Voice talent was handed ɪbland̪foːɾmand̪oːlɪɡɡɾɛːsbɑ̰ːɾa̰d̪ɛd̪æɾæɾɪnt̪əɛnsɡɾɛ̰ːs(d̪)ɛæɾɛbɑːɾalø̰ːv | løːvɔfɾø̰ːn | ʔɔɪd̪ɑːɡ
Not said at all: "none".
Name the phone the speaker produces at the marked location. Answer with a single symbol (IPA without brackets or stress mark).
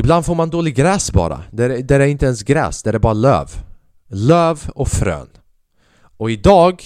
d̪